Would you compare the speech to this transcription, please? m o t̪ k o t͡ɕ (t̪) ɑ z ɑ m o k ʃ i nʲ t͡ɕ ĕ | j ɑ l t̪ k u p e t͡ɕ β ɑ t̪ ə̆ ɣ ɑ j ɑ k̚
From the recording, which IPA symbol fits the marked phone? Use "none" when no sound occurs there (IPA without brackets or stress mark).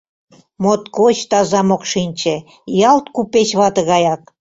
t̪